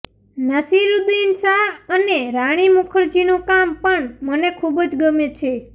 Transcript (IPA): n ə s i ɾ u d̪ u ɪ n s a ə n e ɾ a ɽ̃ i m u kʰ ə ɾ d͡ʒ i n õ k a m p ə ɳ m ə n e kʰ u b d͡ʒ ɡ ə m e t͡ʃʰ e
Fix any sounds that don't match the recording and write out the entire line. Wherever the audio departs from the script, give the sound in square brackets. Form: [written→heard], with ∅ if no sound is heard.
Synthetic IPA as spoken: n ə s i ɾ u d̪ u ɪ n s a ə n e ɾ a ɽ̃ i m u kʰ ə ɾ d͡ʒ i n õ k a m p ə ɳ m ə n e kʰ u b d͡ʒ ɡ ə m e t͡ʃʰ e